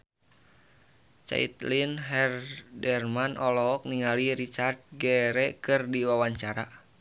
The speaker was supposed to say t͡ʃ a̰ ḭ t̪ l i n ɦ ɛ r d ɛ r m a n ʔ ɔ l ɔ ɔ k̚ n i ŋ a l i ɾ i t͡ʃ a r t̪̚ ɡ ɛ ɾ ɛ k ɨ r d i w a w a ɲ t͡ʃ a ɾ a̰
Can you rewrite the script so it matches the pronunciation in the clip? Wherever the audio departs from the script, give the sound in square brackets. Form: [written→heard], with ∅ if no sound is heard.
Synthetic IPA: t͡ʃ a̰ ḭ t̪ l i n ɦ ɛ r d ɛ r m a n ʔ ɔ l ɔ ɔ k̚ n i ŋ a l i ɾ i t͡ʃ a r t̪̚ ɡ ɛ ɾ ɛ k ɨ r d i w a w a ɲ t͡ʃ a ɾ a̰